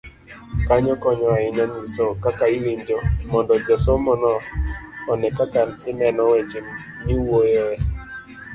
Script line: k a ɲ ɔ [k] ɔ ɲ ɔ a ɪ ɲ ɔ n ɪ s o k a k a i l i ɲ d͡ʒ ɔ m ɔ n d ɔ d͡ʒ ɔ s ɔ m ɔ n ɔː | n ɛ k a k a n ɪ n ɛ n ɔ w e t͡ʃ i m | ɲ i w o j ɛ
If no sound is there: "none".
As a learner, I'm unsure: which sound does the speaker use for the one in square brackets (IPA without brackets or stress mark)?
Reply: k